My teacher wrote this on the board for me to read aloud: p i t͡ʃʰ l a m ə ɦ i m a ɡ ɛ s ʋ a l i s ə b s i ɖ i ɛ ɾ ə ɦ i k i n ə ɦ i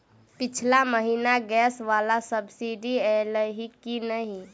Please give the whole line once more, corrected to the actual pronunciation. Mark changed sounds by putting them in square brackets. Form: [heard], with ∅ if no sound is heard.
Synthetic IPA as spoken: p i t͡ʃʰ l a m ə ɦ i [n] a ɡ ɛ s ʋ a l [a] s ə b s i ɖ i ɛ [l] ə ɦ i k i n ə ɦ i